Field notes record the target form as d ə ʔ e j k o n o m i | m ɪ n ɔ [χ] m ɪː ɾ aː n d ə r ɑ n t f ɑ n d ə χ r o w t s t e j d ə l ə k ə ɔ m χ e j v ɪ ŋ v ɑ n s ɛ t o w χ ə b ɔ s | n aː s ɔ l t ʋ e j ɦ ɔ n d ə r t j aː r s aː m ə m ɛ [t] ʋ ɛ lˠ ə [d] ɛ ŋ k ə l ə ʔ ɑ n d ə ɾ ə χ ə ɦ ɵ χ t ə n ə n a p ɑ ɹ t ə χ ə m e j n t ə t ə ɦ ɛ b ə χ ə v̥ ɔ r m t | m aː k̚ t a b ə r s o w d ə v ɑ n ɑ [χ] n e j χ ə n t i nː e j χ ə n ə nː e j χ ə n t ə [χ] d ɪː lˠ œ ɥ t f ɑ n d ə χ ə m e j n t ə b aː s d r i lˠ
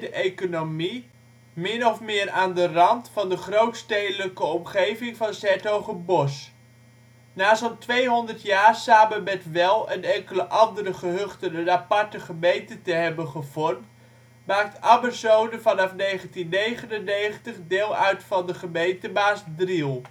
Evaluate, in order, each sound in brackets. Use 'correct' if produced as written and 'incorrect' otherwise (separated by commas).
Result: incorrect, correct, incorrect, incorrect, correct